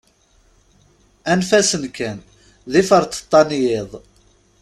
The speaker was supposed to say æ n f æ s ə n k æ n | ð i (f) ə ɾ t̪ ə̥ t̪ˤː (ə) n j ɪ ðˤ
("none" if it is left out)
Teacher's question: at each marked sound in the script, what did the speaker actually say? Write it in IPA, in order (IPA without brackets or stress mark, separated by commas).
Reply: f, ɑ